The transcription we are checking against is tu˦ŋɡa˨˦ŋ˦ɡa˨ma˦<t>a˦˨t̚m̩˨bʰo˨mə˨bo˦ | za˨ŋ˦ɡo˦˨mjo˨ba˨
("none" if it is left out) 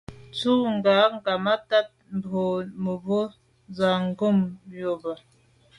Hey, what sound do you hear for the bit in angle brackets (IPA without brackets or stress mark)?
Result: t